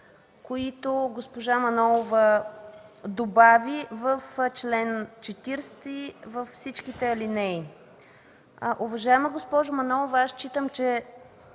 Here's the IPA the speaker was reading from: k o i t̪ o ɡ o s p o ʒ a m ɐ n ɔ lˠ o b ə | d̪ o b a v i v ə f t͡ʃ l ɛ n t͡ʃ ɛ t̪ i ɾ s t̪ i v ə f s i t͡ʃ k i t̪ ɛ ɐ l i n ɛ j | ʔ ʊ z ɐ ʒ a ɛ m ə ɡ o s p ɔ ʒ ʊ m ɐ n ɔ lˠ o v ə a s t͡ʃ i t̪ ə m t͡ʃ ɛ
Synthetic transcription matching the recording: k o i t̪ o ɡ o s p o ʒ a m ɐ n ɔ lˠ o v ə | d̪ o b a v i v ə f t͡ʃ l ɛ n t͡ʃ ɛ t̪ i ɾ s t̪ i v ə f s i t͡ʃ k i t̪ ɛ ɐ l i n ɛ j | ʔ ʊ v ɐ ʒ a ɛ m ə ɡ o s p ɔ ʒ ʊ m ɐ n ɔ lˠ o v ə a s t͡ʃ i t̪ ə m t͡ʃ ɛ